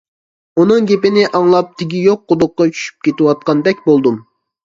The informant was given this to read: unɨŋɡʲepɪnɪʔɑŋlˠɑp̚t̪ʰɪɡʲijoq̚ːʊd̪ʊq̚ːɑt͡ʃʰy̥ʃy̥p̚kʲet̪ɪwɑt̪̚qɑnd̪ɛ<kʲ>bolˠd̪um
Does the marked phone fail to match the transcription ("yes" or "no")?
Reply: no